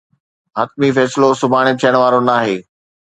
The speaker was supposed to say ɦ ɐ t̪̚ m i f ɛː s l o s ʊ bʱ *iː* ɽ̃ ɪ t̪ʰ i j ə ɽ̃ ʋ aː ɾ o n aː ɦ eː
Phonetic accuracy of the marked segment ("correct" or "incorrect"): incorrect